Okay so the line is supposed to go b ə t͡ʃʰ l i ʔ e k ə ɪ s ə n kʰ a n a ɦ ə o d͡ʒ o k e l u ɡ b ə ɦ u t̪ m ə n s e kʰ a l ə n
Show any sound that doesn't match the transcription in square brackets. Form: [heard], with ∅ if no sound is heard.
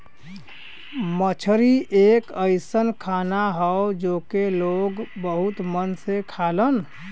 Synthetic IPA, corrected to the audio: [m] ə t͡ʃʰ [ɾ] i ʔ e k ə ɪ s ə n kʰ a n a ɦ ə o d͡ʒ o k e l [o] ɡ b ə ɦ u t̪ m ə n s e kʰ a l ə n